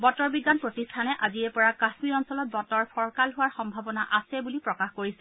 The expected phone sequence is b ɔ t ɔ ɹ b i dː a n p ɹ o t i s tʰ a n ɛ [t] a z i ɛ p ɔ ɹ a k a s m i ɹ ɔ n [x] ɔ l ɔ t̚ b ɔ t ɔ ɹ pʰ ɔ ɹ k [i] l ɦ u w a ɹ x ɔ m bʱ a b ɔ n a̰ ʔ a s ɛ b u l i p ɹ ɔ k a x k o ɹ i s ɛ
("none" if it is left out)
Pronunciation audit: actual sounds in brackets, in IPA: ʔ, s, a

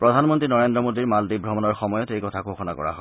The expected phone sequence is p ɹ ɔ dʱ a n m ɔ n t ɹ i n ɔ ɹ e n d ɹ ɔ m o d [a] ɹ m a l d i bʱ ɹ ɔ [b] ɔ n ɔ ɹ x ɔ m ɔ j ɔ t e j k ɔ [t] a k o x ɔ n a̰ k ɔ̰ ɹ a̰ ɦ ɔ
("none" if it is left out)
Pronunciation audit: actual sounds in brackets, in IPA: i, m, tʰ

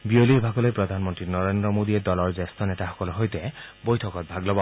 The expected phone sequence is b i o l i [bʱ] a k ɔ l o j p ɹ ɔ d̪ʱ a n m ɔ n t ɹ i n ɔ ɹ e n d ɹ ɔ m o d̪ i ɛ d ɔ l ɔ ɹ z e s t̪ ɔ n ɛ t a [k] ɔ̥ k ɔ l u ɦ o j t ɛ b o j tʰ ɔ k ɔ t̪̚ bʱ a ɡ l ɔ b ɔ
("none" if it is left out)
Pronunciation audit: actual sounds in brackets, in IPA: bʱ, x

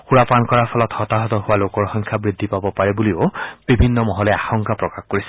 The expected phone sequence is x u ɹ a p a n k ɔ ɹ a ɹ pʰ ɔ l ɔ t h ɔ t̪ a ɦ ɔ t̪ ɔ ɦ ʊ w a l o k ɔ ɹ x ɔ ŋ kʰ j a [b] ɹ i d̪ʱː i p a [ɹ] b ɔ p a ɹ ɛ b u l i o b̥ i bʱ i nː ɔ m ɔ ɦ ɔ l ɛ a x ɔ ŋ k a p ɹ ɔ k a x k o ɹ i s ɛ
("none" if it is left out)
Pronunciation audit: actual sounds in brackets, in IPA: b, none

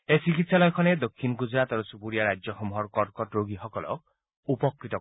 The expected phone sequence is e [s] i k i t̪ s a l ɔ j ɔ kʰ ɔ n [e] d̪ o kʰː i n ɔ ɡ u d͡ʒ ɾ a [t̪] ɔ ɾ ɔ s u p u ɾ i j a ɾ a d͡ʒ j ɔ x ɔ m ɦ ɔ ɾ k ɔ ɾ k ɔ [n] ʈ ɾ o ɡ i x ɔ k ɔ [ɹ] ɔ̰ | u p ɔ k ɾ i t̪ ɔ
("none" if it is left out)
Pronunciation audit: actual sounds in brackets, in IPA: s, e, t̪, none, l

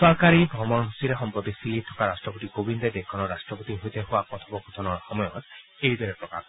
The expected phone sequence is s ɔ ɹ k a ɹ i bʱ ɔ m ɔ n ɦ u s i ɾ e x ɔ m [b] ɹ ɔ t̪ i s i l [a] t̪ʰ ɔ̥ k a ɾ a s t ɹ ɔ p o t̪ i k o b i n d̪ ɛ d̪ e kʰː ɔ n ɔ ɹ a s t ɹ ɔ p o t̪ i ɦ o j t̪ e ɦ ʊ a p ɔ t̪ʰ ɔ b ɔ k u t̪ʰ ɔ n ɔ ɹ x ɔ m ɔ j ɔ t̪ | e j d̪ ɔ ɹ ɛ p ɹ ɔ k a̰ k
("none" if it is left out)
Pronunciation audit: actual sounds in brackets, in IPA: p, i

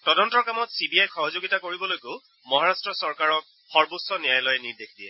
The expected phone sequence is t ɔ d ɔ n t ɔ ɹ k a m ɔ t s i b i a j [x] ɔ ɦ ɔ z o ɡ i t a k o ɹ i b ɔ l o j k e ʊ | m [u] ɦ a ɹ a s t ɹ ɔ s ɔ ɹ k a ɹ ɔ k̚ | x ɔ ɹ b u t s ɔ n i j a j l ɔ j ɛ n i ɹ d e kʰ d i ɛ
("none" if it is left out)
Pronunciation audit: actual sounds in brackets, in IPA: x, ɔ

